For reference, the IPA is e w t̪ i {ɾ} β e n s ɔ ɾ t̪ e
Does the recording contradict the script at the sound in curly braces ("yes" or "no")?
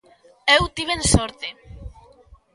yes